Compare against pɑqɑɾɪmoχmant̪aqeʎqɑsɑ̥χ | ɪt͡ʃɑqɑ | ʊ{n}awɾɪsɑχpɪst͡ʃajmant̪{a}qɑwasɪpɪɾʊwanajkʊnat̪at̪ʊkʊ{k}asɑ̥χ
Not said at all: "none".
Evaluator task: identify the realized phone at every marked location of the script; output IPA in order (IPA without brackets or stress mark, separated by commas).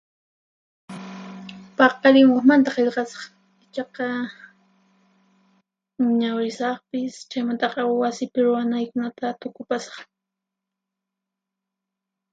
ɲ, ɑ, p